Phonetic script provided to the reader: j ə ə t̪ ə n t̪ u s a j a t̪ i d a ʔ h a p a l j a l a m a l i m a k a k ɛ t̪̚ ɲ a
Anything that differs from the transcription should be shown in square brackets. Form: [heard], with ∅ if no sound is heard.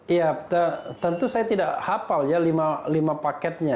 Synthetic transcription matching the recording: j [a] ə t̪ ə n t̪ u s a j a t̪ i d a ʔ h a p a l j a l [i] m a l i m a [p] a k ɛ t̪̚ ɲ a

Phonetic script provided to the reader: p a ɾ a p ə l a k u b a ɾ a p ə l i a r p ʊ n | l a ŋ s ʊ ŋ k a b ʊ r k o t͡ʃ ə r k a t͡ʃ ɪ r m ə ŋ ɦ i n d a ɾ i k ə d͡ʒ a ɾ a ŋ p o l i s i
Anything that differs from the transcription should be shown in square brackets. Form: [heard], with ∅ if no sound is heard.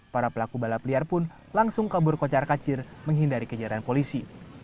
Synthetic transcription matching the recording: p a ɾ a p ə l a k u b a [l] a p ə l i a r p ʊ n | l a ŋ s ʊ ŋ k a b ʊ r k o t͡ʃ [a] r k a t͡ʃ ɪ r m ə ŋ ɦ i n d a ɾ i k ə d͡ʒ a ɾ a [n] p o l i s i

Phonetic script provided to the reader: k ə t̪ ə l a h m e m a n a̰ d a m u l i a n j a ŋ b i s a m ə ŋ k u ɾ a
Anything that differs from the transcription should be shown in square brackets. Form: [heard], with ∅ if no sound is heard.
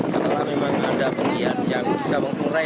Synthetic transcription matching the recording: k ə t̪ ə l a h m e m a [ŋ] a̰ d a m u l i a n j a ŋ b i s a m ə ŋ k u ɾ a

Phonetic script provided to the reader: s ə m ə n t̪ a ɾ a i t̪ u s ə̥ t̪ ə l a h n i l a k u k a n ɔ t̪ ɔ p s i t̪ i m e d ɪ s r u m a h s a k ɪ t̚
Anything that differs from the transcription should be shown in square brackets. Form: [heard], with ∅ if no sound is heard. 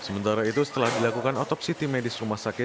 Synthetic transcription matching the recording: s ə m ə n t̪ a ɾ a i t̪ u s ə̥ t̪ ə l a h [d] i l a k u k a n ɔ t̪ ɔ p s i t̪ i m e d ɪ s r u m a h s a k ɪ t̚

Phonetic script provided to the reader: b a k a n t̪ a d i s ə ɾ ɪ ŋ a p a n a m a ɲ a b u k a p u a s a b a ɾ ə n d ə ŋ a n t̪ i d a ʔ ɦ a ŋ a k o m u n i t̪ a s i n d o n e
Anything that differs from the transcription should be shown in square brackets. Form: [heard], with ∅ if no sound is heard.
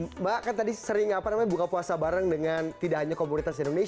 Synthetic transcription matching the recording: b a k a n t̪ a d i s ə ɾ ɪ ŋ a p a n a m a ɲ a b u k a p u a s a b a ɾ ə [ŋ] d ə ŋ a n t̪ i d a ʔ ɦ a [ɲ] a k o m u n i t̪ a s i n d o n e

